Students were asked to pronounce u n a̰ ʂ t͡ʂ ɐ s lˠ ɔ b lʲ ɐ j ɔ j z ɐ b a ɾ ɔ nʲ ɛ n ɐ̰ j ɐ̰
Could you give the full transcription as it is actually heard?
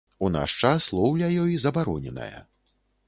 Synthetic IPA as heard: u n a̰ ʂ t͡ʂ a s lˠ ɔ w lʲ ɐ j ɔ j z ɐ b a ɾ ɔ nʲ ɛ n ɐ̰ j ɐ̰